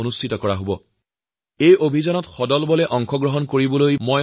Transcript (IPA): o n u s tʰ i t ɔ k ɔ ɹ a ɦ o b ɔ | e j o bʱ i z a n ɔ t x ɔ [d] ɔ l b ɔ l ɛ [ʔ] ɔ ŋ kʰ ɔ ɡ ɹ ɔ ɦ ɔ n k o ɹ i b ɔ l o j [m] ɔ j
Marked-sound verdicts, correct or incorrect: correct, correct, correct

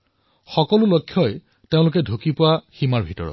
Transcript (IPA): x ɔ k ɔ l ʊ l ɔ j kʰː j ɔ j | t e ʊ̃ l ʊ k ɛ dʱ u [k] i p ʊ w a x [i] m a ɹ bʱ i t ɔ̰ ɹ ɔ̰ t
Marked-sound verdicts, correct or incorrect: correct, correct

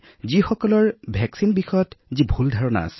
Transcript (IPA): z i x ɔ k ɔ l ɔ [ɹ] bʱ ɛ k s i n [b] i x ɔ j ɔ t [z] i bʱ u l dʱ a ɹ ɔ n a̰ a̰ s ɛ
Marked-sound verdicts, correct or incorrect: correct, correct, correct

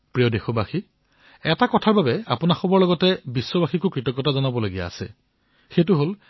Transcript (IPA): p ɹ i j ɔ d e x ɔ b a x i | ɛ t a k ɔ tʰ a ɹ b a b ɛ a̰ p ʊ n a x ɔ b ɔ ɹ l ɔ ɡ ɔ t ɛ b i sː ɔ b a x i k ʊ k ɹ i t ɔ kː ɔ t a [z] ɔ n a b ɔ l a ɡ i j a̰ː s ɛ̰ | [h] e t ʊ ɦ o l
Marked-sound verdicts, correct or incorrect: correct, incorrect

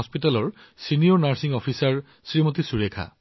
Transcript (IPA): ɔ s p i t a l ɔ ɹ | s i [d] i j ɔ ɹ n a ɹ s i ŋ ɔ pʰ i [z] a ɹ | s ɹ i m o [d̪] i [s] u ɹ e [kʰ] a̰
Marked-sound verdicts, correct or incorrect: incorrect, incorrect, incorrect, correct, correct

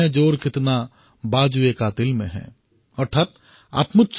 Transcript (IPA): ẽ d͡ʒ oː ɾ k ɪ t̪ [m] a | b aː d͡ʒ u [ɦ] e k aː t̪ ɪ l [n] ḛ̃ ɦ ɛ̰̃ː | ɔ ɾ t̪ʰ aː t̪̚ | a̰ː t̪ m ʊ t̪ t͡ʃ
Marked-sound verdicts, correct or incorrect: incorrect, incorrect, incorrect

